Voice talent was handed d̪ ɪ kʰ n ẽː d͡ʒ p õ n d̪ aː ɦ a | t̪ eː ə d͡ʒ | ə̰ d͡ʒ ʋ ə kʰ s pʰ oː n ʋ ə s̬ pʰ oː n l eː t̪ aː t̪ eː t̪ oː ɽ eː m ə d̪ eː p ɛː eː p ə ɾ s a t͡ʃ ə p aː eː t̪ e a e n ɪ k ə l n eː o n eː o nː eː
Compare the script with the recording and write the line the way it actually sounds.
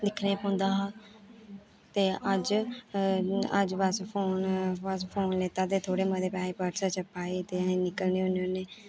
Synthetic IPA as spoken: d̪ ɪ kʰ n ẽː p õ n d̪ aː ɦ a | t̪ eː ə d͡ʒ | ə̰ d͡ʒ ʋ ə s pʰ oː n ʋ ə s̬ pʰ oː n l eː t̪ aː t̪ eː t̪ʰ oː ɽ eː m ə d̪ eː p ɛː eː p ə ɾ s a t͡ʃ ə p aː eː t̪ e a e n ɪ k ə l n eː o n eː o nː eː